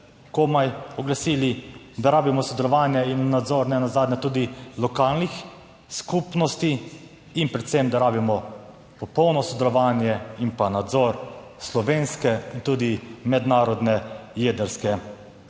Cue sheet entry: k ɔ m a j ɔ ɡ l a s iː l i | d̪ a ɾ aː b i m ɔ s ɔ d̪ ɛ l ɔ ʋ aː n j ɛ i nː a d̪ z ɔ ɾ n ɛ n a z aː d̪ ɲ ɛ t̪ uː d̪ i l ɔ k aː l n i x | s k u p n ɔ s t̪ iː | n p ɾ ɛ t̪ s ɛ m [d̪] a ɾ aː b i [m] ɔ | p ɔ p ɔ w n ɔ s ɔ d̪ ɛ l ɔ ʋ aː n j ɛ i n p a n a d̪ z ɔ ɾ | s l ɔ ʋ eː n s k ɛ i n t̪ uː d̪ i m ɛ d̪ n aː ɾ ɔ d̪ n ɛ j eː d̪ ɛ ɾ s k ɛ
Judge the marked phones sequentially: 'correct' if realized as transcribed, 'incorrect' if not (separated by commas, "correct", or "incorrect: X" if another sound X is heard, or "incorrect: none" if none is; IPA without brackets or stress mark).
correct, correct